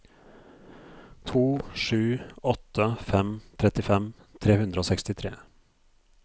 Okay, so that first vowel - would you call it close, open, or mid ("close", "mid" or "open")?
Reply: close